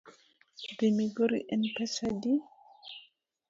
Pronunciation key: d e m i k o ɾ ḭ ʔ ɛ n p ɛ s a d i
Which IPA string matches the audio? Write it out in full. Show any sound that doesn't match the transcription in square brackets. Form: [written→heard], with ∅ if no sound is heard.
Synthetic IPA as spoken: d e m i [k→ɡ] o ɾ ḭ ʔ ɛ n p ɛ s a d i